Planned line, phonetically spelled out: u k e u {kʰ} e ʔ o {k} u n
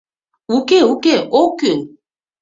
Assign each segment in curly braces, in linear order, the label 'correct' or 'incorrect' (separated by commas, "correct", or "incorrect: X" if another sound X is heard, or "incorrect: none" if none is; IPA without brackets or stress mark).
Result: incorrect: k, correct